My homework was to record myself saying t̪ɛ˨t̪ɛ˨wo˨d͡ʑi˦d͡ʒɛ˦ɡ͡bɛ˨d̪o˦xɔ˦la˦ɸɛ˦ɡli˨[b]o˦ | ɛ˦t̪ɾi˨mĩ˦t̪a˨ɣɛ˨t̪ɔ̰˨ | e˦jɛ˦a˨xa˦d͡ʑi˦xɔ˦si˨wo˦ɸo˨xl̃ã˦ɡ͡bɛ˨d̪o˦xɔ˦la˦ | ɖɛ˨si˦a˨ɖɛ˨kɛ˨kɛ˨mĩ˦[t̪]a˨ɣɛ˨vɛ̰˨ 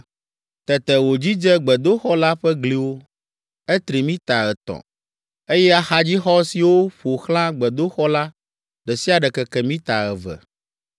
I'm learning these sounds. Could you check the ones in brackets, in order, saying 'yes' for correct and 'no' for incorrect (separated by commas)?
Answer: no, yes